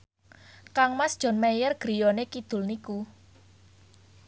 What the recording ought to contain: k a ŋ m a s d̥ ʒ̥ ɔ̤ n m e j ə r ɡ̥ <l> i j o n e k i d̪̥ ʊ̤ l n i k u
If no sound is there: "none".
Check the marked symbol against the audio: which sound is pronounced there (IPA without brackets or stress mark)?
ɾ